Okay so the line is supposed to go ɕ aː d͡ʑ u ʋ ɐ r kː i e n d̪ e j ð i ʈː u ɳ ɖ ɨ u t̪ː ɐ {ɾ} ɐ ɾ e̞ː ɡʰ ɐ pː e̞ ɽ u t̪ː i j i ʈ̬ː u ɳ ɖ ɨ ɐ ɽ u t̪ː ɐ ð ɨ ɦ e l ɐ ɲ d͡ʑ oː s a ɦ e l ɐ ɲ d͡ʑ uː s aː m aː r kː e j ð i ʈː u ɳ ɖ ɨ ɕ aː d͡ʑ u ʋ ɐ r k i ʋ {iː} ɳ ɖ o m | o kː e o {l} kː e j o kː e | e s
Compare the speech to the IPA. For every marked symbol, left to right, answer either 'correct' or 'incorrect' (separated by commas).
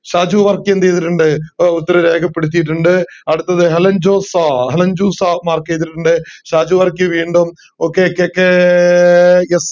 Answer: correct, correct, incorrect